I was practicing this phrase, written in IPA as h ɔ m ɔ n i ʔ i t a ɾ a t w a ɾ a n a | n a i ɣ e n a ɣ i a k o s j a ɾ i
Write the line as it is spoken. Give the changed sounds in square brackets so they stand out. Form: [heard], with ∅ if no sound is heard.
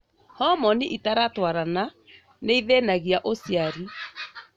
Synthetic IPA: h ɔ m ɔ n i ʔ i t a ɾ a t w a ɾ a n a | n [e] i [ð] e n a ɣ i a [ʔ] o s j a ɾ i